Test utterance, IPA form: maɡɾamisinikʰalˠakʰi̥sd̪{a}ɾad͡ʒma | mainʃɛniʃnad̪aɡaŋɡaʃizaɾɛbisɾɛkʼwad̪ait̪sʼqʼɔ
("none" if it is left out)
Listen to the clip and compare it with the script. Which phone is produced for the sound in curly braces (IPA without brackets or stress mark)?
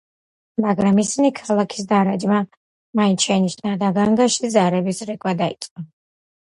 a